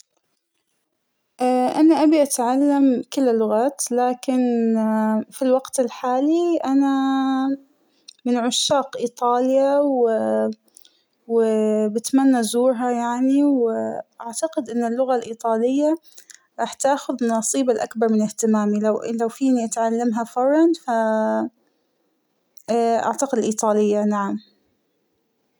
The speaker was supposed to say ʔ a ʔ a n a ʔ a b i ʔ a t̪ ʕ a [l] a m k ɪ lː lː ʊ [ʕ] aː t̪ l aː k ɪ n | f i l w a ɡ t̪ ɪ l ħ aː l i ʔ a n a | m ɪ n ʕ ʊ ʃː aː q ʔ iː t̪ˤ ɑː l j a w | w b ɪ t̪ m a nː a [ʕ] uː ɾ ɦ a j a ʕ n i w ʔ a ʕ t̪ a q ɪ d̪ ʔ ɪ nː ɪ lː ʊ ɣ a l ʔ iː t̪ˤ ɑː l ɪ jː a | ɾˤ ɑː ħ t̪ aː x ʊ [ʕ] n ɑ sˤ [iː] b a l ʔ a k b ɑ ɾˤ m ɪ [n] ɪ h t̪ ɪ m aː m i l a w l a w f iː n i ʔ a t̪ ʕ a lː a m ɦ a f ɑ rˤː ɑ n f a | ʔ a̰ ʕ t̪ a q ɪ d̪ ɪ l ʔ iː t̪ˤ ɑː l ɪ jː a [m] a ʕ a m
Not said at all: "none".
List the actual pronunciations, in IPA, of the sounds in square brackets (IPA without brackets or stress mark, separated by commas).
lː, ɣ, z, ð, iː, n, n